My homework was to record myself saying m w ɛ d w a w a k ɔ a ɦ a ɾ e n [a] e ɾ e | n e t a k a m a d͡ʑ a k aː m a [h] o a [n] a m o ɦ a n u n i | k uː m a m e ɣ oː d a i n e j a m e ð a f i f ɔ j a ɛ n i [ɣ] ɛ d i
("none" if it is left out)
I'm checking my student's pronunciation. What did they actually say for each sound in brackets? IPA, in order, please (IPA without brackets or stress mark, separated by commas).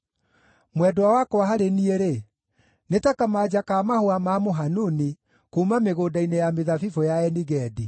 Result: i, h, m, ɣ